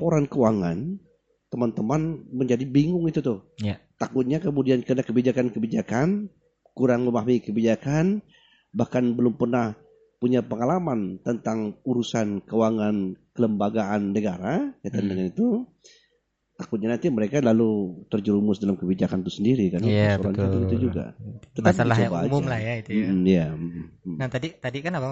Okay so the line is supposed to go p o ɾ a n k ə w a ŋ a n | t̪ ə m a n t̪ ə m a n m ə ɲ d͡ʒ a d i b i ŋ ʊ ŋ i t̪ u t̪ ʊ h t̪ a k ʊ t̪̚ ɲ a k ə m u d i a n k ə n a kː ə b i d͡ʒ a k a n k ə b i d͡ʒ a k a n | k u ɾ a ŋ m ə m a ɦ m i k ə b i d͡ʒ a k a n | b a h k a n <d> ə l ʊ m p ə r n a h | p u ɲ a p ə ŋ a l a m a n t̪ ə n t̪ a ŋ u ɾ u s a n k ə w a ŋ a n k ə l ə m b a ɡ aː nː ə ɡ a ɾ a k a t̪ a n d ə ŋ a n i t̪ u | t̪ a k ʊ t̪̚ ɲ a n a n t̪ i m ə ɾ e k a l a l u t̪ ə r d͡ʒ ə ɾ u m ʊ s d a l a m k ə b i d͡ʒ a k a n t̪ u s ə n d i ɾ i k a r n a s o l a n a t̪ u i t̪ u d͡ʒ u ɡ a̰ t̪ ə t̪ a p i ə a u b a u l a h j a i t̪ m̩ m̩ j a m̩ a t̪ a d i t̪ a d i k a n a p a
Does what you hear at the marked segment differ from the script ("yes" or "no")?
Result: yes